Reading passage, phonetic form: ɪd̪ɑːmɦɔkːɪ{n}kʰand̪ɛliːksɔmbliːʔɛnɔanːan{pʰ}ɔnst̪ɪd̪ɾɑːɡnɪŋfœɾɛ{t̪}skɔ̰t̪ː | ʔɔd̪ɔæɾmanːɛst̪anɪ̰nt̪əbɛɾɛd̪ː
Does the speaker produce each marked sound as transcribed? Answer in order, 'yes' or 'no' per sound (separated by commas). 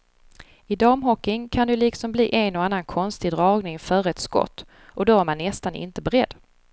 no, no, yes